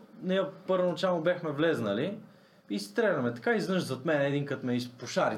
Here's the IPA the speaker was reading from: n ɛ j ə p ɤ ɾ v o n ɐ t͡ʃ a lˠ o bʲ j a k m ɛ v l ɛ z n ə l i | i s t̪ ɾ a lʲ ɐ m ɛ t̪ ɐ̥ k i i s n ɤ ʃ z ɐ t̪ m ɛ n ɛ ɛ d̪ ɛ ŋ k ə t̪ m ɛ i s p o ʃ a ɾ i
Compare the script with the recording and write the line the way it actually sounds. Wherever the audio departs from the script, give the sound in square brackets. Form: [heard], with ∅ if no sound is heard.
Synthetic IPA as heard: n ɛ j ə p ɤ ɾ v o n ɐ t͡ʃ a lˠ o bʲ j a [x] m ɛ v l ɛ z n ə l i | i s t̪ ɾ [ɛ] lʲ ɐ m ɛ t̪ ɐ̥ k [a] i [z] n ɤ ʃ z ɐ t̪ m ɛ n ɛ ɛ d̪ [i] ŋ k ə t̪ m ɛ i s p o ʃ a ɾ i